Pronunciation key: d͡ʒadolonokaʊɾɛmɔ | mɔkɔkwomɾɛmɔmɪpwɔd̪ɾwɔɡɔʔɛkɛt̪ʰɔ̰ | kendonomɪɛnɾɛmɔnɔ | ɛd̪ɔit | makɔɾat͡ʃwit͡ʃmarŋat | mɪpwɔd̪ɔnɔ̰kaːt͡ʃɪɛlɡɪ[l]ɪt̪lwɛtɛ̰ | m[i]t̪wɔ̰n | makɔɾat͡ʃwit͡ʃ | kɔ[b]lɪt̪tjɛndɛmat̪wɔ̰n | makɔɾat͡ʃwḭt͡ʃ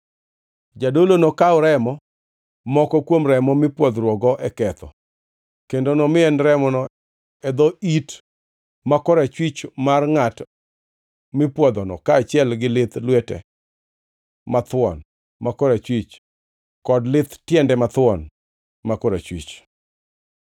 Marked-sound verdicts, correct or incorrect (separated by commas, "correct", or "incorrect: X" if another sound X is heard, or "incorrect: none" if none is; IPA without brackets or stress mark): correct, incorrect: a, incorrect: d